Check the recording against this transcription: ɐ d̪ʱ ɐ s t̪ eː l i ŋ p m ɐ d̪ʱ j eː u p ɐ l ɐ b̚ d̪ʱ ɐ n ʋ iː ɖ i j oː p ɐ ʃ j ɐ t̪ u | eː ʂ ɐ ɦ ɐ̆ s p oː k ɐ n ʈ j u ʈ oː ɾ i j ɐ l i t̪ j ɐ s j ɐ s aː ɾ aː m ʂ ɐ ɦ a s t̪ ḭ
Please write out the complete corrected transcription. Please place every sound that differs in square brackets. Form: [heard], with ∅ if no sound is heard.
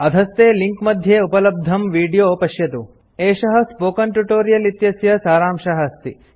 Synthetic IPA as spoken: ɐ d̪ʱ ɐ s t̪ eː l i ŋ [k] m ɐ d̪ʱ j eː u p ɐ l ɐ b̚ d̪ʱ ɐ [m] ʋ iː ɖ i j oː p ɐ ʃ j ɐ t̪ u | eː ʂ ɐ ɦ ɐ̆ s p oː k ɐ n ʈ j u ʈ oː ɾ i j ɐ l i t̪ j ɐ s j ɐ s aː ɾ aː m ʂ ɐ ɦ [ɐ] s t̪ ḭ